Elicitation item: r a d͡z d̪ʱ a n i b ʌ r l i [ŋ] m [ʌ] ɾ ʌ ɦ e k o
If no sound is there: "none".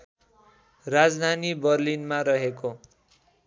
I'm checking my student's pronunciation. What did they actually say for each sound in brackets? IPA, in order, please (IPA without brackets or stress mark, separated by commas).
n, a